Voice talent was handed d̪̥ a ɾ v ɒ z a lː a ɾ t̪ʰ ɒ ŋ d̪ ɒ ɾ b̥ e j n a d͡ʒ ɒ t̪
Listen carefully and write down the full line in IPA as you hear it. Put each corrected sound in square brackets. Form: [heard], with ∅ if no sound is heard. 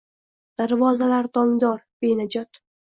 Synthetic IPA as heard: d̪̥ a ɾ v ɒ z a [l] a ɾ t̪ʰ ɒ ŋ d̪ ɒ ɾ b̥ e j n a d͡ʒ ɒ t̪